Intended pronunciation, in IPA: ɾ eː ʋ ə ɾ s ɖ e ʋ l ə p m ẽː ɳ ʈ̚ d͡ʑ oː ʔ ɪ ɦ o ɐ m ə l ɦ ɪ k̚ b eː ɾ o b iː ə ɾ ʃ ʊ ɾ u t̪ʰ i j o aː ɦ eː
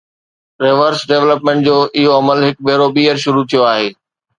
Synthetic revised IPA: ɾ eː ʋ ə ɾ s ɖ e ʋ l ə p m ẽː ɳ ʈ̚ d͡ʑ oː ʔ ɪ ɦ o ɐ m ə l ɦ ɪ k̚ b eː ɾ o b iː ə ɾ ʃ ʊ ɾ u t̪ʰ i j o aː ɦ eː